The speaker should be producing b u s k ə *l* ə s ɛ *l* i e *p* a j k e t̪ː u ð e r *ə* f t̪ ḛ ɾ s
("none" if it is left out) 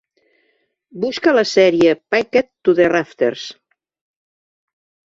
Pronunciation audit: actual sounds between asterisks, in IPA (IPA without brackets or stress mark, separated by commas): l, ɾ, p, a